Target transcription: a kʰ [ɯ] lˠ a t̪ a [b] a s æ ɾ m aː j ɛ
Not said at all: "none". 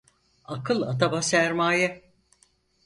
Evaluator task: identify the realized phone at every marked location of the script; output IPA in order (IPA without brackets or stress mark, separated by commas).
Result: ɯ, b